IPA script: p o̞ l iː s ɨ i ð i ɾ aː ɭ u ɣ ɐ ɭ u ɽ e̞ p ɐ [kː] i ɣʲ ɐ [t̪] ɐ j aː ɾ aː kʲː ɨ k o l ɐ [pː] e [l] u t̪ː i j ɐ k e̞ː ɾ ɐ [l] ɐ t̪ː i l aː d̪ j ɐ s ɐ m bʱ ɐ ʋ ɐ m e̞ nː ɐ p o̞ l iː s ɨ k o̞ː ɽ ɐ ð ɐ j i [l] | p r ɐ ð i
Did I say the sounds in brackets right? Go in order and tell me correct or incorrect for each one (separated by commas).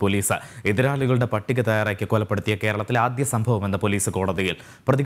incorrect, correct, correct, incorrect, incorrect, correct